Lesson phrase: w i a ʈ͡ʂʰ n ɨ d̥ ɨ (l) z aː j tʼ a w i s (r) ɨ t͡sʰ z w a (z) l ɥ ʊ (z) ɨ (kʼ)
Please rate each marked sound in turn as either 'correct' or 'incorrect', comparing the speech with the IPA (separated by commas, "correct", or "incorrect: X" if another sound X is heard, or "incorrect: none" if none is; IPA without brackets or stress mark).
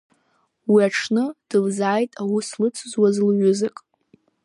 correct, incorrect: l, correct, correct, correct